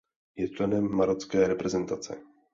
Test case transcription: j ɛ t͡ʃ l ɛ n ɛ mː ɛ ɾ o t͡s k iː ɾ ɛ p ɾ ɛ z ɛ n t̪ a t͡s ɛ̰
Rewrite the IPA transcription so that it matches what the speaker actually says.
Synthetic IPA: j ɛ t͡ʃ l ɛ n ɛ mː a ɾ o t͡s k ɛː ɾ ɛ p ɾ ɛ z ɛ n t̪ a t͡s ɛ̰